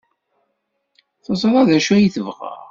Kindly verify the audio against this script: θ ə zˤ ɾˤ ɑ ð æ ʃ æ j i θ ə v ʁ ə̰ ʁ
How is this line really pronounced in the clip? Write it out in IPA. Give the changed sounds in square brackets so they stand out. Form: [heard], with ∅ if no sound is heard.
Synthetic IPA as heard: θ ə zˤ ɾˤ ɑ ð æ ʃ æ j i θ ə v ʁ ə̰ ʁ

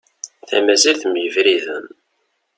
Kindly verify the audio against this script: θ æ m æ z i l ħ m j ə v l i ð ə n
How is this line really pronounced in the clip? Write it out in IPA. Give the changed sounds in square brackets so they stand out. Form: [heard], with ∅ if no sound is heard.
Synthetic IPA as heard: θ æ m æ z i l [θ] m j ə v [ɾ] i ð ə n

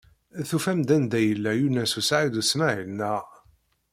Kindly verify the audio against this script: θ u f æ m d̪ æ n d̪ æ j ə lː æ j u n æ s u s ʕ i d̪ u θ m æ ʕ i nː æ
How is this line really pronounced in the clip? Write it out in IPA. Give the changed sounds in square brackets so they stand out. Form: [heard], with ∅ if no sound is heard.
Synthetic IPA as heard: θ u f æ m d̪ æ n d̪ æ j ə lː æ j u n æ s u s ʕ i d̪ u [s] m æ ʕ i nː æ

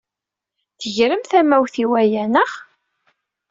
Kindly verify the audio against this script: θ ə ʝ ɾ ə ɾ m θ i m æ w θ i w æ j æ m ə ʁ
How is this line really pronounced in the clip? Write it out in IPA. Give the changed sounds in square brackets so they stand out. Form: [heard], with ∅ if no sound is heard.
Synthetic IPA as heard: θ ə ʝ ɾ ə [∅] m θ [æ] m æ w θ i w æ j æ [n] ə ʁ

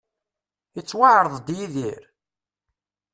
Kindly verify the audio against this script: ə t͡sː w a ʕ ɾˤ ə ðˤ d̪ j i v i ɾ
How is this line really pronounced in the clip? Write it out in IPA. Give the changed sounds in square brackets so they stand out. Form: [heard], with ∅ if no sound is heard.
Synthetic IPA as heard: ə t͡sː w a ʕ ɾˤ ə ðˤ d̪ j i [ð] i ɾ

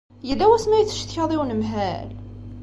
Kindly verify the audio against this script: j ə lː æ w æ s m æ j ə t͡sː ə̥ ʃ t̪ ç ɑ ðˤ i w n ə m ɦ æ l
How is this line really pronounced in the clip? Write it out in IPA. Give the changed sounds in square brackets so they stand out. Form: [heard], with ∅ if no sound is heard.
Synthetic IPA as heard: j ə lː æ w æ s m æ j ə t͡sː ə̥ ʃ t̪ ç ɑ ðˤ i w n ə m ɦ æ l

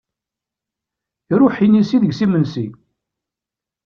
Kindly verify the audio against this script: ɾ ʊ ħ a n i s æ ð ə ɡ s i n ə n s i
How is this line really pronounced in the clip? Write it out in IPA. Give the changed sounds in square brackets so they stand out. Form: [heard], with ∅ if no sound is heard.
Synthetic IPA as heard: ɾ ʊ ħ [i] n i s [i] ð ə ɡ s i [m] ə n s i

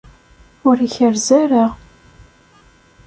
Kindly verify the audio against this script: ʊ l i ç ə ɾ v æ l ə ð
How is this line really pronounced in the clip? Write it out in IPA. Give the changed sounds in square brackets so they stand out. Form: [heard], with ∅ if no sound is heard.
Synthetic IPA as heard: ʊ [ɾ] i ç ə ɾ [z] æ [ɾ] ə [ʁ]

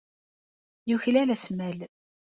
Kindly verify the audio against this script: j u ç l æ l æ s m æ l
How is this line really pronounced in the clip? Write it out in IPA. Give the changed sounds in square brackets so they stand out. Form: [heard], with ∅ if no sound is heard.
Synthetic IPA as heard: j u ç l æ l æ s m æ l

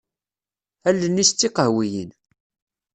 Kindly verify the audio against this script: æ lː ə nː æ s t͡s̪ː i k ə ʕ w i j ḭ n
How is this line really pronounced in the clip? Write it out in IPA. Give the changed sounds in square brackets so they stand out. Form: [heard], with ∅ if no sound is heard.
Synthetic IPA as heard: æ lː ə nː [i] s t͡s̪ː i [q] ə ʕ w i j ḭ n

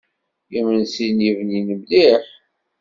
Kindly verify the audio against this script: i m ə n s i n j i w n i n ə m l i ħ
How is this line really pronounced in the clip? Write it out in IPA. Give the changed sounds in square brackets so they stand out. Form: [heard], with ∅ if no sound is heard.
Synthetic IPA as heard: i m ə n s i n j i [v] n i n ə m l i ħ

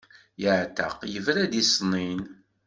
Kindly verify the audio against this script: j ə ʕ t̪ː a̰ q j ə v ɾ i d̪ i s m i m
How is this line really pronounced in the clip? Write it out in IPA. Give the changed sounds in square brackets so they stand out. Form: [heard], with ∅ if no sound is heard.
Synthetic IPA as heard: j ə ʕ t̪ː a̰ q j ə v ɾ [æ] d̪ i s [n] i [n]

